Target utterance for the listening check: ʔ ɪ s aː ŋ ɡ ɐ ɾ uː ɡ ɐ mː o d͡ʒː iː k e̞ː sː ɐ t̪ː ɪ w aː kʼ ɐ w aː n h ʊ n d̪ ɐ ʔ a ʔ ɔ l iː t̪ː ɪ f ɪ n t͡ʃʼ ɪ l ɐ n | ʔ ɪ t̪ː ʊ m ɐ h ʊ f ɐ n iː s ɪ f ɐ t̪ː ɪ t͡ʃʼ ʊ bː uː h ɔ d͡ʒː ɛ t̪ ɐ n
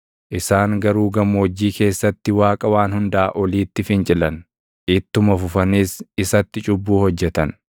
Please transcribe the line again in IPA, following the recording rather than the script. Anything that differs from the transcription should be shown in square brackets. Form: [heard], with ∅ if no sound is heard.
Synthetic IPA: ʔ ɪ s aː ŋ ɡ ɐ ɾ uː ɡ ɐ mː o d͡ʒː iː k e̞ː sː ɐ t̪ː ɪ w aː kʼ ɐ w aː n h ʊ n d̪ ɐ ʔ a ʔ ɔ l iː t̪ː ɪ f ɪ n t͡ʃʼ ɪ l ɐ n | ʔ ɪ t̪ː ʊ m ɐ [f] ʊ f ɐ n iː s ɪ [s] ɐ t̪ː ɪ t͡ʃʼ ʊ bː uː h ɔ d͡ʒː ɛ t̪ ɐ n

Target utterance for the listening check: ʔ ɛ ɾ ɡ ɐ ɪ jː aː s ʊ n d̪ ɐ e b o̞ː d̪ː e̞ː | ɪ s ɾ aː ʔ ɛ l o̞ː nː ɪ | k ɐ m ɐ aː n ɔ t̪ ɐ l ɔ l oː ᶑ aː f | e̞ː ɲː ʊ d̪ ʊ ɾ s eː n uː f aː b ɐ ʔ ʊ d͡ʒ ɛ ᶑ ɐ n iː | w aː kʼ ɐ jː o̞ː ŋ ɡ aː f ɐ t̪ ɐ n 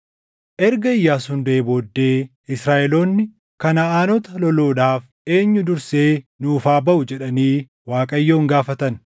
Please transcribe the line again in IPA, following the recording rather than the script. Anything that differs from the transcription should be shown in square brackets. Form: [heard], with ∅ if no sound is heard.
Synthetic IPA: ʔ ɛ ɾ ɡ ɐ ɪ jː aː s ʊ n d̪ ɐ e b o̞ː d̪ː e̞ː | ɪ s ɾ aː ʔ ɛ l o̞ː nː ɪ | k ɐ [n] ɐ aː n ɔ t̪ ɐ l ɔ l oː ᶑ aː f | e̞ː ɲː ʊ d̪ ʊ ɾ s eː n uː f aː b ɐ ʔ ʊ d͡ʒ ɛ ᶑ ɐ n iː | w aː kʼ ɐ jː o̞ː ŋ ɡ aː f ɐ t̪ ɐ n

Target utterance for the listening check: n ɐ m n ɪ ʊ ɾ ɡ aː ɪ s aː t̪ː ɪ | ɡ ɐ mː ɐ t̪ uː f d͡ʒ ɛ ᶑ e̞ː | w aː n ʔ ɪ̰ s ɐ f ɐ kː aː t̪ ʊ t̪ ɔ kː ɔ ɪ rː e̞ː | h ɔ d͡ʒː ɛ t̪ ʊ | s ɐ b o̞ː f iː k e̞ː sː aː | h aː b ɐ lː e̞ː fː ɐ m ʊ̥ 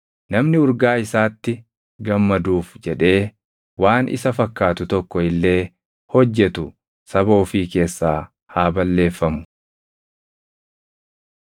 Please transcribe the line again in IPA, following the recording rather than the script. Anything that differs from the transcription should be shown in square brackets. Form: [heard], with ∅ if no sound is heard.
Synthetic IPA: n ɐ m n ɪ ʊ ɾ ɡ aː ɪ s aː t̪ː ɪ | ɡ ɐ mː ɐ [d̪] uː f d͡ʒ ɛ ᶑ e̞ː | w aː n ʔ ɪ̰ s ɐ f ɐ kː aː t̪ ʊ t̪ ɔ kː ɔ ɪ [lː] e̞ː | h ɔ d͡ʒː ɛ t̪ ʊ | s ɐ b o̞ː f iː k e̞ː sː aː | h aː b ɐ lː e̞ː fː ɐ m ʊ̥

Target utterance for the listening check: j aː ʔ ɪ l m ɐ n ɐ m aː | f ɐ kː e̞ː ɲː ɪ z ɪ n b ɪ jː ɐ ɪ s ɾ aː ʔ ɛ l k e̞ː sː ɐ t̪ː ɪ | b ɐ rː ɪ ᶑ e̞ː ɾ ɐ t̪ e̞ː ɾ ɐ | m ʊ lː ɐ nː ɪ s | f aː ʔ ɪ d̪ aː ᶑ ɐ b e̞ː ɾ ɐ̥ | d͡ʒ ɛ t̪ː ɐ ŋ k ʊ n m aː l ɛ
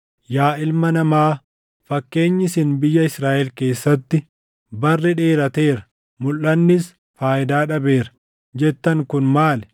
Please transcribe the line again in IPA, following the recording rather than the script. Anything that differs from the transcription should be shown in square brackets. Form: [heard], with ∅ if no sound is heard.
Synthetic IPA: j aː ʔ ɪ l m ɐ n ɐ m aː | f ɐ kː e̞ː ɲː ɪ [s] ɪ n b ɪ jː ɐ ɪ s ɾ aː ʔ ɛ l k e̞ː sː ɐ t̪ː ɪ | b ɐ rː ɪ ᶑ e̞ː ɾ ɐ t̪ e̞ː ɾ ɐ | m ʊ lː ɐ nː ɪ s | f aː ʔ ɪ d̪ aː ᶑ ɐ b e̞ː ɾ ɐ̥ | d͡ʒ ɛ t̪ː ɐ ŋ k ʊ n m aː l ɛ

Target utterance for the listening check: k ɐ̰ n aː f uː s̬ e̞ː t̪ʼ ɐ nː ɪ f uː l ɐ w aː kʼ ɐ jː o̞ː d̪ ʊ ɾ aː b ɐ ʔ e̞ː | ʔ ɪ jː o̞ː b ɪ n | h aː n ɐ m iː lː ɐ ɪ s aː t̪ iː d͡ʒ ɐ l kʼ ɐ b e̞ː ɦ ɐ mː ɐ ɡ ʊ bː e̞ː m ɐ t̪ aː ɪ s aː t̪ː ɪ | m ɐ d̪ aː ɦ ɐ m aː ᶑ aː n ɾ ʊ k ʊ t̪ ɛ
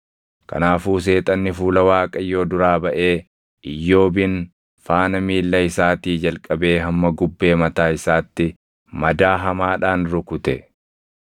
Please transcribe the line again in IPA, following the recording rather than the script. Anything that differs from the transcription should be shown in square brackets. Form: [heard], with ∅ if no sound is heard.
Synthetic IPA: k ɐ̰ n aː f uː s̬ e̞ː t̪ʼ ɐ nː ɪ f uː l ɐ w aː kʼ ɐ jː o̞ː d̪ ʊ ɾ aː b ɐ ʔ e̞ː | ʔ ɪ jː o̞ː b ɪ n | [f] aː n ɐ m iː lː ɐ ɪ s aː t̪ iː d͡ʒ ɐ l kʼ ɐ b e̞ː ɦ ɐ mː ɐ ɡ ʊ bː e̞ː m ɐ t̪ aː ɪ s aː t̪ː ɪ | m ɐ d̪ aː ɦ ɐ m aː ᶑ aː n ɾ ʊ k ʊ t̪ ɛ

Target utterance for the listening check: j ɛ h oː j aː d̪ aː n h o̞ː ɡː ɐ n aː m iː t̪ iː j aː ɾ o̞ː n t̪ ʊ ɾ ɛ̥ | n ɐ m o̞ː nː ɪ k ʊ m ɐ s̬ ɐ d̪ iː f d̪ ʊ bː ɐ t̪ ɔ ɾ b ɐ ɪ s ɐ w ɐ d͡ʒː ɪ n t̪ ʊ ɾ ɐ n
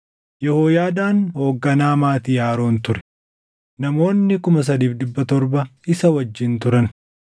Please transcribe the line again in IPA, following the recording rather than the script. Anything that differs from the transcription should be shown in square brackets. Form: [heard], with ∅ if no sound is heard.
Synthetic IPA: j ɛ h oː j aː d̪ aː n h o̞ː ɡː ɐ n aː m [aː] t̪ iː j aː ɾ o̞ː n t̪ ʊ ɾ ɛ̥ | n ɐ m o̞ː nː ɪ k ʊ m ɐ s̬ ɐ d̪ iː f d̪ ʊ bː ɐ t̪ ɔ ɾ b ɐ ɪ s ɐ w ɐ d͡ʒː ɪ n t̪ ʊ ɾ ɐ n

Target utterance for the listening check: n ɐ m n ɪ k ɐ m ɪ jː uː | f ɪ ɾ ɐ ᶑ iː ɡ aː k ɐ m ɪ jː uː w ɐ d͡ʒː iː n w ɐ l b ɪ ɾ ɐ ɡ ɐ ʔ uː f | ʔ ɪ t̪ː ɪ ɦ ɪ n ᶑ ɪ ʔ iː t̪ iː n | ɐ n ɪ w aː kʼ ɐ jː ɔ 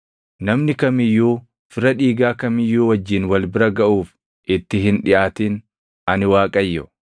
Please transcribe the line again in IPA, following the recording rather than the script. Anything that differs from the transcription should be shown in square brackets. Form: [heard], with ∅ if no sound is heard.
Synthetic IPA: n ɐ m n ɪ k ɐ m ɪ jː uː | f ɪ ɾ ɐ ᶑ iː ɡ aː k ɐ m ɪ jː uː w ɐ d͡ʒː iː n w ɐ l b ɪ ɾ ɐ ɡ ɐ ʔ uː f | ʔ ɪ t̪ː ɪ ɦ ɪ n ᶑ ɪ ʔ [aː] t̪ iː n | ɐ n ɪ w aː kʼ ɐ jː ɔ

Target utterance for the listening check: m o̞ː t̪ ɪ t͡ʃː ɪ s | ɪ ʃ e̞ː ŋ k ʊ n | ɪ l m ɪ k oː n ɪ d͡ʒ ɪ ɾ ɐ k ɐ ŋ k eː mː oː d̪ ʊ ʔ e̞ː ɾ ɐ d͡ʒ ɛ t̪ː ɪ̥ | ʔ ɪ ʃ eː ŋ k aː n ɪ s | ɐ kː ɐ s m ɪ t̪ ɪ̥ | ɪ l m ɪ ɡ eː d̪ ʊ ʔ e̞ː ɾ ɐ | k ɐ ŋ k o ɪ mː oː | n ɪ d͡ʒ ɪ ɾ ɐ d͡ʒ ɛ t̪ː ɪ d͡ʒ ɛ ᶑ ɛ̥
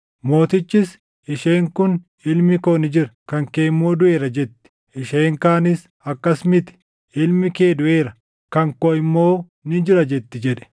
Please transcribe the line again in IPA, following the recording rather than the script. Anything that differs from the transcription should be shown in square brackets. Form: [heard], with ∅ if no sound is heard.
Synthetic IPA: m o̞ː t̪ ɪ t͡ʃː ɪ s | ɪ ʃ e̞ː ŋ k ʊ n | ɪ l m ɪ k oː n ɪ d͡ʒ ɪ ɾ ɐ k ɐ ŋ k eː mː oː d̪ ʊ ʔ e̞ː ɾ ɐ d͡ʒ ɛ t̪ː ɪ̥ | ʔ ɪ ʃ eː ŋ k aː n ɪ s | ɐ kː ɐ s m ɪ t̪ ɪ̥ | ɪ l m ɪ [k] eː d̪ ʊ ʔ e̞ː ɾ ɐ | k ɐ ŋ k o ɪ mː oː | n ɪ d͡ʒ ɪ ɾ ɐ d͡ʒ ɛ t̪ː ɪ d͡ʒ ɛ ᶑ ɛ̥

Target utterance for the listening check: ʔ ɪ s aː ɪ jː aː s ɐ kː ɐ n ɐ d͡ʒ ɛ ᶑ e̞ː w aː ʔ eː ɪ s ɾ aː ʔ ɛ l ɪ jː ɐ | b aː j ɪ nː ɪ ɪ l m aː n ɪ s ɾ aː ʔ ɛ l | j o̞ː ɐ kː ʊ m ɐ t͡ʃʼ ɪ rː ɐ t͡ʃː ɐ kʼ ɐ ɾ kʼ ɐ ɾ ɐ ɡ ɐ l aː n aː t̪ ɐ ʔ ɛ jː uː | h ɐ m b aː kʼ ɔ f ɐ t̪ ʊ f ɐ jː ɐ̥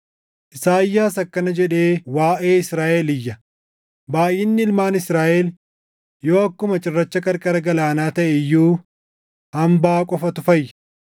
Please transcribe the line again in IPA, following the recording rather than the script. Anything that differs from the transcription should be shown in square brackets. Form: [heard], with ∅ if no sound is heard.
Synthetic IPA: ʔ ɪ s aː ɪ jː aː s ɐ kː ɐ n ɐ d͡ʒ ɛ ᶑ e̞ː w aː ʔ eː ɪ s ɾ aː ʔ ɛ l ɪ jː ɐ | b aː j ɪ nː ɪ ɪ l m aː n ɪ s ɾ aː ʔ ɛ l | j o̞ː ɐ kː ʊ m ɐ t͡ʃʼ ɪ rː ɐ t͡ʃː ɐ kʼ ɐ ɾ kʼ ɐ ɾ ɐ ɡ ɐ l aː n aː t̪ ɐ ʔ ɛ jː uː | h ɐ m b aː kʼ ɔ f ɐ t̪ ʊ f ɐ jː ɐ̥

